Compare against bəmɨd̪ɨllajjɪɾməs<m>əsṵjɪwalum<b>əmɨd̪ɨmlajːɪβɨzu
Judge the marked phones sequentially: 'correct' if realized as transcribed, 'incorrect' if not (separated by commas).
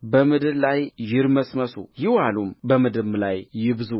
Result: correct, correct